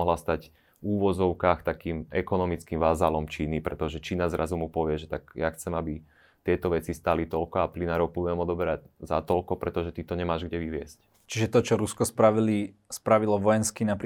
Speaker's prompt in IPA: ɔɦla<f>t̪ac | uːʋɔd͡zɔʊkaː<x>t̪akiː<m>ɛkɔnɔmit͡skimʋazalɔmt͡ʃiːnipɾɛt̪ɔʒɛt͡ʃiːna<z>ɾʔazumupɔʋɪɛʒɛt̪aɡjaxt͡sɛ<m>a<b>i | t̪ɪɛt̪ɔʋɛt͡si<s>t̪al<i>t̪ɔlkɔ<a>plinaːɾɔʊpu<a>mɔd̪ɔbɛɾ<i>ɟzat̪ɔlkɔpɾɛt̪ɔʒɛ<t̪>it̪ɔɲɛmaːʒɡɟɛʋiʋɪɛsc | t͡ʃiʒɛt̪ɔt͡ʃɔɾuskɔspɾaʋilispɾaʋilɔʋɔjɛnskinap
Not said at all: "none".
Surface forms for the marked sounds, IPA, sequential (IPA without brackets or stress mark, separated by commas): s, x, m, z, m, b, s, i, a, ɛ, a, t̪